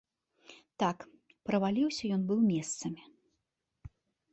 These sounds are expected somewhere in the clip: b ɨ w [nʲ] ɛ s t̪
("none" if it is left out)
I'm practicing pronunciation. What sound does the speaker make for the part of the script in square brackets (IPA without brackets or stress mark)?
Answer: mʲ